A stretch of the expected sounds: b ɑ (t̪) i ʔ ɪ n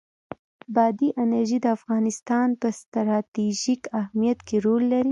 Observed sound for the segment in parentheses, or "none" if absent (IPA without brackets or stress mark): d̪